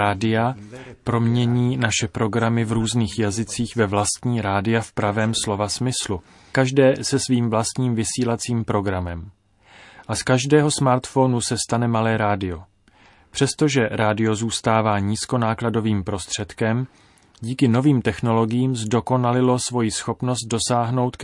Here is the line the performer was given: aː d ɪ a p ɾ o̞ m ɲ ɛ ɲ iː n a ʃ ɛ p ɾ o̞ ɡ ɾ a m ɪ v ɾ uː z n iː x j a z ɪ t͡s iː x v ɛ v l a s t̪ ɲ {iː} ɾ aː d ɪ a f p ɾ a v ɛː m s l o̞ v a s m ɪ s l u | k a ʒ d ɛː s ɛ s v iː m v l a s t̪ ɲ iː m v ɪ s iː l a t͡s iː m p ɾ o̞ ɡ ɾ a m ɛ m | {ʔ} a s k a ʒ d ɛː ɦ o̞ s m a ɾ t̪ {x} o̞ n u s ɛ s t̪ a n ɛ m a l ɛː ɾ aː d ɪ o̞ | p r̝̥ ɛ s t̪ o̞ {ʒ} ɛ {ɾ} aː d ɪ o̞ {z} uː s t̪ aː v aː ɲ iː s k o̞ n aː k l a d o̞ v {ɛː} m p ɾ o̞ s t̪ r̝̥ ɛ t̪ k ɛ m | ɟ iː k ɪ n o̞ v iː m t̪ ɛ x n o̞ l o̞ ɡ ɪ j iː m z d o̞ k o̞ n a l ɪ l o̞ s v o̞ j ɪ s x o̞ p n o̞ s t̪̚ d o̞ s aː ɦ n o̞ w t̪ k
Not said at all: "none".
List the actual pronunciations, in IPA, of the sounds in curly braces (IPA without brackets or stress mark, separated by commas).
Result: iː, ʔ, f, ʒ, ɾ, z, iː